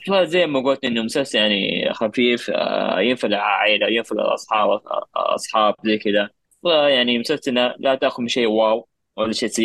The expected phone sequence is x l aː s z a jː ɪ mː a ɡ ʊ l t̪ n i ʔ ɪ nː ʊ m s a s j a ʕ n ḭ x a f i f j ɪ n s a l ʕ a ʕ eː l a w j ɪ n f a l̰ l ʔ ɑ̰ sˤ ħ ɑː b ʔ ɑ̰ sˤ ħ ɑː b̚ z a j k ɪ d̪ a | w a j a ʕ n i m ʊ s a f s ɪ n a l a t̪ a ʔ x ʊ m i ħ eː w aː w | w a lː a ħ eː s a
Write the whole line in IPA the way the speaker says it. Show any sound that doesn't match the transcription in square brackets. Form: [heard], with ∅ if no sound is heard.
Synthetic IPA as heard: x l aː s z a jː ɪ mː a ɡ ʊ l t̪ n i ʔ ɪ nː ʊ m s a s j a ʕ n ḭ x a f [iː] f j ɪ n [f] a l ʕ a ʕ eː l a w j ɪ n f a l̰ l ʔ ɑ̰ sˤ ħ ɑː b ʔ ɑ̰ sˤ ħ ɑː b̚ z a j k ɪ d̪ a | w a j a ʕ n i m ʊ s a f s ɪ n a l a t̪ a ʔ x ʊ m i [ʃ] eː w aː w | w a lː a [ʃ] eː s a